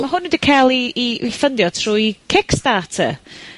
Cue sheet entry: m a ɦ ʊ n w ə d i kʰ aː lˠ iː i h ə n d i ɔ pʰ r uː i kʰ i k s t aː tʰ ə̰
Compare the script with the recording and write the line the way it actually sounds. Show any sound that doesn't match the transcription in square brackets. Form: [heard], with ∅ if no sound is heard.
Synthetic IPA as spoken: m a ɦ ʊ n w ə d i kʰ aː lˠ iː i [f] ə n d [j] ɔ [tʰ] r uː i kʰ [ɪ] k s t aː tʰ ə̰